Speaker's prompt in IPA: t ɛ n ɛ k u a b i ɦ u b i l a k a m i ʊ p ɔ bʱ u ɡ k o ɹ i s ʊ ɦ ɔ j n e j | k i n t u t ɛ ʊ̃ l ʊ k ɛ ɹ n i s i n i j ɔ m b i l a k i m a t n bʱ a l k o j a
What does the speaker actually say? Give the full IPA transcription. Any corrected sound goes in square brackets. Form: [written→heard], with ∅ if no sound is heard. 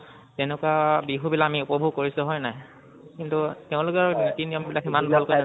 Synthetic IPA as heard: t ɛ n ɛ k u a b i ɦ u b i l a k a m i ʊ p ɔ bʱ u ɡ k o ɹ i s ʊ ɦ ɔ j n [e→a] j | k i n t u t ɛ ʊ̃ l ʊ k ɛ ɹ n i [s→t] i n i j ɔ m b i l a k i m a [t→∅] n bʱ a l k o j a

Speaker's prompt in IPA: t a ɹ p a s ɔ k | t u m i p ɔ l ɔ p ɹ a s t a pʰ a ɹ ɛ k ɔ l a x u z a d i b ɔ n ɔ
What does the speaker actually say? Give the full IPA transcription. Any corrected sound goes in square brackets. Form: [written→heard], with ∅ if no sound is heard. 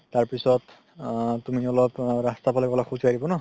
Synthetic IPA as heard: t a ɹ p [a→i] s ɔ [k→t] | t u m i [p→∅] ɔ l ɔ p ɹ a s t a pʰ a [ɹ→l] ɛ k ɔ l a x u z a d i b ɔ n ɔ

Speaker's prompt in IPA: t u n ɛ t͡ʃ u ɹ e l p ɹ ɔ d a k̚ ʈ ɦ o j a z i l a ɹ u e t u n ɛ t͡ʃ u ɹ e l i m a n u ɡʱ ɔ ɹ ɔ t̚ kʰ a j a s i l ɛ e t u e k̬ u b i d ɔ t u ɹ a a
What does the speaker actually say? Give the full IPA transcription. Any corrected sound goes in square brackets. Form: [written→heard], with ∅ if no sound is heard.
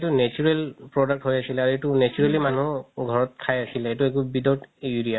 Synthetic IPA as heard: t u n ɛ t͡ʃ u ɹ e l p ɹ ɔ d a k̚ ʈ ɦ o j a [z→s] i l a ɹ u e t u n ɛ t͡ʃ u ɹ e l i m a n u ɡʱ ɔ ɹ ɔ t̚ kʰ a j a s i l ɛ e t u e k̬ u b i d ɔ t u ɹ [a→i] a

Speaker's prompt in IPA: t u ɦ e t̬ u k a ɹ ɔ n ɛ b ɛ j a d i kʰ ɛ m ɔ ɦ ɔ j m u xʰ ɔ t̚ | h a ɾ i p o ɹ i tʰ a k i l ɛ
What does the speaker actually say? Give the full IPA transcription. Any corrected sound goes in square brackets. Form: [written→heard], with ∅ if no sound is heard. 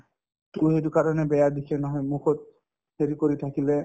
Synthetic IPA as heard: t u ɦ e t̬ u k a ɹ ɔ n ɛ b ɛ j a d i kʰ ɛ [m→n] ɔ ɦ ɔ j m u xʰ ɔ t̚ | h [a→e] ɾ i [p→k] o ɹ i tʰ a k i l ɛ

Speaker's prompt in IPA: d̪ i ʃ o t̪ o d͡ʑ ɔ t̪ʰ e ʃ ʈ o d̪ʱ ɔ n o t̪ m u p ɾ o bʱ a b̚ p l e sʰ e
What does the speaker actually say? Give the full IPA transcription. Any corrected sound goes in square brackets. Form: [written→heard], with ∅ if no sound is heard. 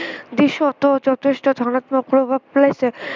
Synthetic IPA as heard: d̪ i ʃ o t̪ o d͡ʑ ɔ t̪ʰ e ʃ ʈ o d̪ʱ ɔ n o t̪ m [u→o] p ɾ o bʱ a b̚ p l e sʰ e

